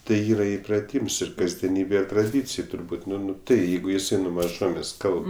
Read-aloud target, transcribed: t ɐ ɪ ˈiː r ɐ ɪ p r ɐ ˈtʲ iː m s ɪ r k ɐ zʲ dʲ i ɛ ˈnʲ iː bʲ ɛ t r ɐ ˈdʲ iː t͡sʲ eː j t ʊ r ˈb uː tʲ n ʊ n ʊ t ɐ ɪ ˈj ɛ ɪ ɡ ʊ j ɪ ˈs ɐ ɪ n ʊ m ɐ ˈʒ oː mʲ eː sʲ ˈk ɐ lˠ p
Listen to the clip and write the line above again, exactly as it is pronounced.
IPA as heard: t ɐ ɪ ˈiː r ɐ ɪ p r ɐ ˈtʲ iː m s ɪ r k ɐ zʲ dʲ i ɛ ˈnʲ iː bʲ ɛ t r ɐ ˈdʲ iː t͡sʲ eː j t ʊ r ˈb uː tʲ n ʊ n ʊ t ɐ ɪ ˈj ɛ ɪ ɡ ʊ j ɪ ˈs ɐ ɪ n ʊ m ɐ ˈʒ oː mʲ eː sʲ ˈk ɐ lˠ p